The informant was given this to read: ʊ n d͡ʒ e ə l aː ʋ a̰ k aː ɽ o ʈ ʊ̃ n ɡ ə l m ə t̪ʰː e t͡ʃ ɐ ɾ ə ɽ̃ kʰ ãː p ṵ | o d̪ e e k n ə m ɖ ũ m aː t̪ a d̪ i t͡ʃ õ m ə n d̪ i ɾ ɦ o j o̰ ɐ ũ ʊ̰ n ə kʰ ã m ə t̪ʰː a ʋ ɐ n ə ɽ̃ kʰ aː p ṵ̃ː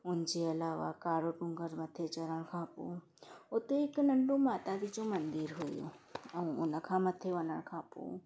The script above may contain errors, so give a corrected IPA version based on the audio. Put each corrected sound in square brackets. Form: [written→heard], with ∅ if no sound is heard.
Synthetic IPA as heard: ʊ n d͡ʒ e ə l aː ʋ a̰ k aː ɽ o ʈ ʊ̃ [n→ŋ] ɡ ə [l→ɾ] m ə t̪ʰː e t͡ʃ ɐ ɾ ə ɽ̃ kʰ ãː p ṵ | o [d̪→t̪] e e k n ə [m→ɳ] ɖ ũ m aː t̪ a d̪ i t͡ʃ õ m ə n d̪ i ɾ ɦ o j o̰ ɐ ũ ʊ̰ n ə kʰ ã m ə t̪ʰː [a→e] ʋ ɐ n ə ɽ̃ kʰ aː p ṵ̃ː